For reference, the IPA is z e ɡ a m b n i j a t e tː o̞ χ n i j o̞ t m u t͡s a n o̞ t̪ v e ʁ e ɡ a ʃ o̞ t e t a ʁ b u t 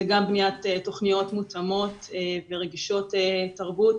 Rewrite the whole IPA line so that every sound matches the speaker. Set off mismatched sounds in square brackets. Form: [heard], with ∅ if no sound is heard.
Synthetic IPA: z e ɡ a m b n i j a t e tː o̞ χ n i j o̞ t m u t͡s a [m] o̞ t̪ v e ʁ e ɡ [i] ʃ o̞ t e t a ʁ b u t

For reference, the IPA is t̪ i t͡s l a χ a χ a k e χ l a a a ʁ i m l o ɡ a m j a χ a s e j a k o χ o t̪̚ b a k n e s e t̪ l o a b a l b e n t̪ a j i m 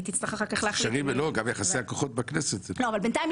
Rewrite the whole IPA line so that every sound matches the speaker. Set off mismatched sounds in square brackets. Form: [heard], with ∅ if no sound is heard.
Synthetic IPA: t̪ i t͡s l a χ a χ a k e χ l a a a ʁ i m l o ɡ a m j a χ a s e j a k o χ o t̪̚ b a k n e s e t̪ l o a [v] a l b e n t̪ a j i m

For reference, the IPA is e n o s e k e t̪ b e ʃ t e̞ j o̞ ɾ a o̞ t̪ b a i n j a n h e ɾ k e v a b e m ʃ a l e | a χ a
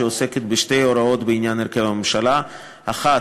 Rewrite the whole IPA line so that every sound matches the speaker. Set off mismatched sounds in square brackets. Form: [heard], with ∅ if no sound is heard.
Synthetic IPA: e [∅] o s e k e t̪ b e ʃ t e̞ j o̞ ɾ a o̞ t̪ b [e] i n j a n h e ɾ k e v a [m] e m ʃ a l [a] | a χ a

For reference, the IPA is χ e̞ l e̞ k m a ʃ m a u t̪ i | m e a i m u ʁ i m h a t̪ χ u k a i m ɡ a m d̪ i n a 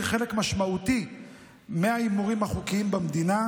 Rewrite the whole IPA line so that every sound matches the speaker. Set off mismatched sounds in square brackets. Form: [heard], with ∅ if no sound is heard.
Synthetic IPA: χ e̞ l e̞ k m a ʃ m a u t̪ i | m e a i m u ʁ i m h a [∅] χ u k [i] i m [b] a m d̪ i n a

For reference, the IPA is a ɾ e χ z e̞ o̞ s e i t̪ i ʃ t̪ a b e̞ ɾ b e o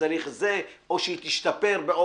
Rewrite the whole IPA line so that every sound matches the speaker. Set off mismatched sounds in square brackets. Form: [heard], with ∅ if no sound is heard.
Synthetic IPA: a ɾ [i] χ z e̞ o̞ [ʃ] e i t̪ i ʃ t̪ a [p] e̞ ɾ b e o

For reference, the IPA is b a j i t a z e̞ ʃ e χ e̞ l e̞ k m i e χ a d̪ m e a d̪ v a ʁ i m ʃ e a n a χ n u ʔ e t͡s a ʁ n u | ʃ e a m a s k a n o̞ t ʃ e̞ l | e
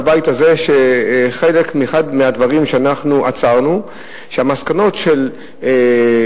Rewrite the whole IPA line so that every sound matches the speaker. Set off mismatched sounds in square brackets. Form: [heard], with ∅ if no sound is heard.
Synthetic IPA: b a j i t a z e̞ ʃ e χ e̞ l e̞ k m i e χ a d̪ m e a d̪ v a ʁ i m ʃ e a n a χ n u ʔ [a] t͡s a ʁ n u | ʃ e a m a s k a n o̞ t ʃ e̞ l | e

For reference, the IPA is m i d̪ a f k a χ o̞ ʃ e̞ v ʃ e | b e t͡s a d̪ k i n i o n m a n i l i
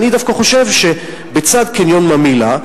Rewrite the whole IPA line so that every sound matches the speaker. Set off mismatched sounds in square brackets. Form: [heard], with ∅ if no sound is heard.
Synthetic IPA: [n] i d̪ a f k a χ o̞ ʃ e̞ v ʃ e | b e t͡s a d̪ k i n [j] o n m a [m] i l [a]

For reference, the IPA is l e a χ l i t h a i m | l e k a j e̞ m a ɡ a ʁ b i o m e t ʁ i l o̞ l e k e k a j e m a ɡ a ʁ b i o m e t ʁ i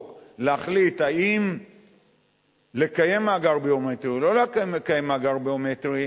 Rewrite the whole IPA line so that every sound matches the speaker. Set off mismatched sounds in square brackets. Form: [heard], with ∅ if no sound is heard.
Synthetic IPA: l e a χ l i t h a i m | l e k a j e̞ m a ɡ a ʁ b i o m e t ʁ i l o̞ l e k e k a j e m a ɡ a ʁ b i o m e t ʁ i

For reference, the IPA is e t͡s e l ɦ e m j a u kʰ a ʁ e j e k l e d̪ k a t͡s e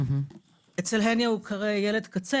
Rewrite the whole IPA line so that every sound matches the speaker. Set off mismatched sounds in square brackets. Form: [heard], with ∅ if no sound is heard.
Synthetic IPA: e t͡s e l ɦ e [n] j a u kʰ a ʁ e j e [∅] l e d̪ k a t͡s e

